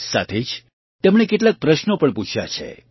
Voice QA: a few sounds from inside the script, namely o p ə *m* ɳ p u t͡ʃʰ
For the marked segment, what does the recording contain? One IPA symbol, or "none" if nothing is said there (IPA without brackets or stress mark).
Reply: none